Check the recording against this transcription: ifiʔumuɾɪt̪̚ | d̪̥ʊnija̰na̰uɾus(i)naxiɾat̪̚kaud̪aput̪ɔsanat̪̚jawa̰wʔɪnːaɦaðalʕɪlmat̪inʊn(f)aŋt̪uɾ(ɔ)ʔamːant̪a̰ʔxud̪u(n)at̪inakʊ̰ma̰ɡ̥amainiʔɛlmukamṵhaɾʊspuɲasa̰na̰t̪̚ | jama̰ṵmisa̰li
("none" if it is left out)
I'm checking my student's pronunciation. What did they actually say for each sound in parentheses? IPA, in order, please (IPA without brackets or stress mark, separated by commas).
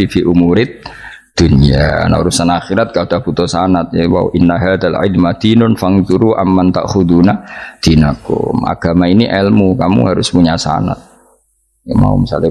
a, f, u, n